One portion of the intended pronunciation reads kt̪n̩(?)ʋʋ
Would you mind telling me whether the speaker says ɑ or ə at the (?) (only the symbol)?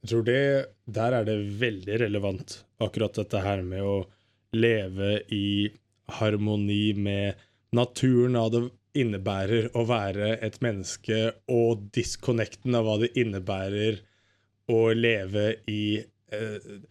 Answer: ɑ